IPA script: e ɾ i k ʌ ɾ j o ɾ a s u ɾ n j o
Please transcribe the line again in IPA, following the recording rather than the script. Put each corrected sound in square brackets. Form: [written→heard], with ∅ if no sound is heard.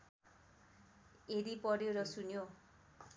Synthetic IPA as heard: e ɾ i [k→p] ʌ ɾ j o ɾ [a→ʌ] s u [ɾ→∅] n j o